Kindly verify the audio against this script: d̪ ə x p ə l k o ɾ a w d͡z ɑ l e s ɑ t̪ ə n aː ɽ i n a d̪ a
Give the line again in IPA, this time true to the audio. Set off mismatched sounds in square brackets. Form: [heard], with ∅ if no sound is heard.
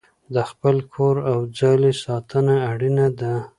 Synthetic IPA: d̪ ə x p ə l [kʰ] o ɾ a w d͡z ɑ l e s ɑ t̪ ə n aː ɽ i n a d̪ a